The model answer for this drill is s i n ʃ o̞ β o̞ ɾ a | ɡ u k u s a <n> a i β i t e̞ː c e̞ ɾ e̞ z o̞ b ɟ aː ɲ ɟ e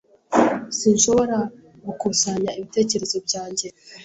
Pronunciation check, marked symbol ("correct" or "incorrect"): incorrect